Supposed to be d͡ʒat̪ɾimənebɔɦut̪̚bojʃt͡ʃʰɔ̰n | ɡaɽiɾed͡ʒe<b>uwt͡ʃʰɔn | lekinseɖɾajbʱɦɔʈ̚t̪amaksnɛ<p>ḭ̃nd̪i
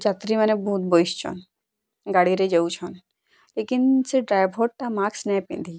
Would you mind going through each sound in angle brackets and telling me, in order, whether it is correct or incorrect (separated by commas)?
incorrect, correct